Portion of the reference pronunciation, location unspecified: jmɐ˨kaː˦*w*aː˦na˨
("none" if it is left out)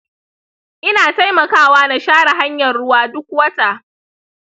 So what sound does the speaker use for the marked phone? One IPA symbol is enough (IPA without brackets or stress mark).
w